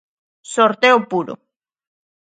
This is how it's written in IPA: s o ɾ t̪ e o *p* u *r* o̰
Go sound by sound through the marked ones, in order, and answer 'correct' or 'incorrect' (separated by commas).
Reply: correct, incorrect